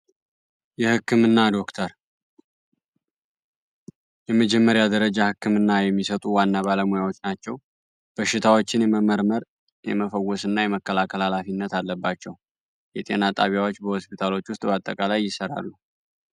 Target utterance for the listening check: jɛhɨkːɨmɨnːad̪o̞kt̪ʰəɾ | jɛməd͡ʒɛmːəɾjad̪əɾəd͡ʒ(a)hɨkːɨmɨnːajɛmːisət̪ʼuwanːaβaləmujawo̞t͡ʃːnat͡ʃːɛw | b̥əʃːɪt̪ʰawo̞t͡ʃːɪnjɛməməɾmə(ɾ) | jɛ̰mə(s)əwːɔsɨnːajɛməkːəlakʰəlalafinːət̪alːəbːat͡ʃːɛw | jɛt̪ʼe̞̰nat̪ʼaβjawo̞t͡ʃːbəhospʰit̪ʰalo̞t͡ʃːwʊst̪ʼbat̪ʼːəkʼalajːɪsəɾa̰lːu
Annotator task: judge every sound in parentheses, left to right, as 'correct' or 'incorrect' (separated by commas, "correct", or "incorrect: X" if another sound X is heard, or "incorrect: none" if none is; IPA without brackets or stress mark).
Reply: correct, correct, incorrect: f